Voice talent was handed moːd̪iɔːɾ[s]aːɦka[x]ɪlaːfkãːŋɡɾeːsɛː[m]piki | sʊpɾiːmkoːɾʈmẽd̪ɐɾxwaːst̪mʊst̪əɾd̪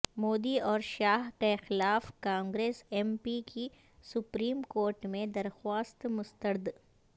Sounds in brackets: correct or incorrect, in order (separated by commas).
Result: incorrect, correct, correct